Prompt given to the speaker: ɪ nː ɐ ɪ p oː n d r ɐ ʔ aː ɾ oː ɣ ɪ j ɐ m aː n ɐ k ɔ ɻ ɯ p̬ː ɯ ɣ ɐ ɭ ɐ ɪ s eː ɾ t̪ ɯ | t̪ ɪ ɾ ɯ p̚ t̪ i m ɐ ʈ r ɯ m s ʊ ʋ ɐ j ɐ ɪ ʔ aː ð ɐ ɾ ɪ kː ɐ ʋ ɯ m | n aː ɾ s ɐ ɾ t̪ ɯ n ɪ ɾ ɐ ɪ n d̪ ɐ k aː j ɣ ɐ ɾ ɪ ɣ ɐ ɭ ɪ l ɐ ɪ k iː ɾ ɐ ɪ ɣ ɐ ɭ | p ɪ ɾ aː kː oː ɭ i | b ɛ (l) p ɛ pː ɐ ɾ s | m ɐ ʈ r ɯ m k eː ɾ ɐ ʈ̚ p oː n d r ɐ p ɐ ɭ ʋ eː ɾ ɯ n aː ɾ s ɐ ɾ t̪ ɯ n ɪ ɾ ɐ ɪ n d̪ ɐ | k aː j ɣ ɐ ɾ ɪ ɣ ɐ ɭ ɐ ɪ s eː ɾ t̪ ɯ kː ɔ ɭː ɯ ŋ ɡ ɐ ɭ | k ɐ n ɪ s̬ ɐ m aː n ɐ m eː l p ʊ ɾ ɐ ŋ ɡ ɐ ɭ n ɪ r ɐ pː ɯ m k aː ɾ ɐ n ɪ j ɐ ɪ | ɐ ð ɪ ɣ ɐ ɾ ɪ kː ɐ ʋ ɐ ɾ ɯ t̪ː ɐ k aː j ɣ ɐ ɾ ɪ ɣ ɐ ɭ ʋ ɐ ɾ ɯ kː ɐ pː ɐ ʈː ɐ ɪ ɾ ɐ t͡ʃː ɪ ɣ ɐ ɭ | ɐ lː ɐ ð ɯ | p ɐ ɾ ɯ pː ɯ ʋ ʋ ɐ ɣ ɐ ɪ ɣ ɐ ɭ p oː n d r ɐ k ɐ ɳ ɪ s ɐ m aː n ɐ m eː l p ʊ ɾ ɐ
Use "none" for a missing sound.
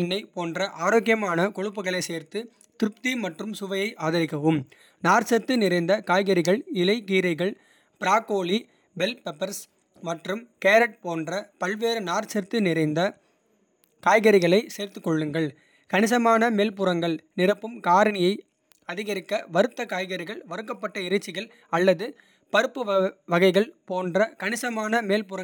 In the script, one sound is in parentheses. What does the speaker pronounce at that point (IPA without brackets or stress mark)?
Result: l